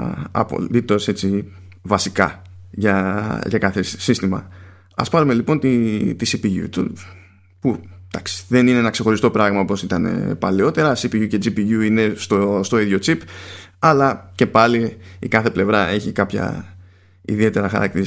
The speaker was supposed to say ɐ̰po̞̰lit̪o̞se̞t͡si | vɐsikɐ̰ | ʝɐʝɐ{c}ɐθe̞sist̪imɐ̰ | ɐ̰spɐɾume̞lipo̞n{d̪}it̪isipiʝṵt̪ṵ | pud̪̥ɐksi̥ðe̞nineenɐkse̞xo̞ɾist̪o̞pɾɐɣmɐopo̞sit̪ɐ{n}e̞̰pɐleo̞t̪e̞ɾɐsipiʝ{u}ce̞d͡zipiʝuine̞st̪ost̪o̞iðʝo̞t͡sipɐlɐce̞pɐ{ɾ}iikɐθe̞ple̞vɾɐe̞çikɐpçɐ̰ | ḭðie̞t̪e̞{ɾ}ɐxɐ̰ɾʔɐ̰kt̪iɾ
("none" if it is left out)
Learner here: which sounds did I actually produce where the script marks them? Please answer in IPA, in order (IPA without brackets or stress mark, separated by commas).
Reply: k, t̪, n, u, l, ɾ